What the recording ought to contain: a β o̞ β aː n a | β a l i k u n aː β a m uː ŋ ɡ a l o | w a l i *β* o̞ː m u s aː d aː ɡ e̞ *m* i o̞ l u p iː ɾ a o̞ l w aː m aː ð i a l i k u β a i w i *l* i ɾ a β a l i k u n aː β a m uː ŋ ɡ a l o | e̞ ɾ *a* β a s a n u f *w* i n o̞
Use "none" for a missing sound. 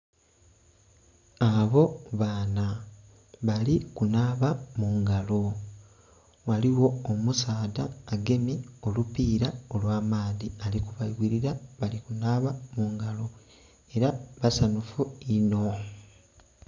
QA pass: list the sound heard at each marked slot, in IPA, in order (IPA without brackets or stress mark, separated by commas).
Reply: w, m, ɾ, a, u